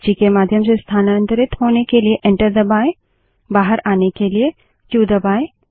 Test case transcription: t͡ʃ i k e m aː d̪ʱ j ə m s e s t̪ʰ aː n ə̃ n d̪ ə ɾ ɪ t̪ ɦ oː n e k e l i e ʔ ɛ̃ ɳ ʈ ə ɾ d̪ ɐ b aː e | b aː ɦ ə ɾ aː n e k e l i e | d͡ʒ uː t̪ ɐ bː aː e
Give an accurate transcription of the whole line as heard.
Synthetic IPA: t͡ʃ i k e m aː d̪ʱ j ə m s e s t̪ʰ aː n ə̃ n t̪ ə ɾ ɪ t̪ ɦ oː n e k e l i e ʔ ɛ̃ ɳ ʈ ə ɾ d̪ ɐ b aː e | b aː ɦ ə ɾ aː n e k e l i e | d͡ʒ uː d̪ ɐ b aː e